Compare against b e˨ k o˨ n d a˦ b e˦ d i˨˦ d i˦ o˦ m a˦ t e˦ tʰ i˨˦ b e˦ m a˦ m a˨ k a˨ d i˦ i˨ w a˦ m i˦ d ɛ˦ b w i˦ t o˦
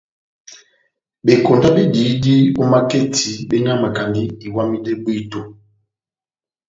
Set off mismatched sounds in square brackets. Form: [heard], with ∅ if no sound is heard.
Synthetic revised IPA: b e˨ k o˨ n d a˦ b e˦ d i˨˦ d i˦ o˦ m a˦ [k] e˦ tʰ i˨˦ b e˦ [ɲ] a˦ m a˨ k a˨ [n] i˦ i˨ w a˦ m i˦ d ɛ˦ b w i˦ t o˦